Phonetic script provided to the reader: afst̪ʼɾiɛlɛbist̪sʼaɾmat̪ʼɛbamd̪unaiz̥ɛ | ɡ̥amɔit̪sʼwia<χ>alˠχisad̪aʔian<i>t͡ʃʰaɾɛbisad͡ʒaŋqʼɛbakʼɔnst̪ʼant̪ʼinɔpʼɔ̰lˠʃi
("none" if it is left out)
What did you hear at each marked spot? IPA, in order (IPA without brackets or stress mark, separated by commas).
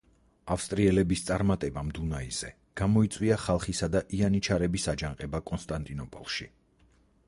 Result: χ, i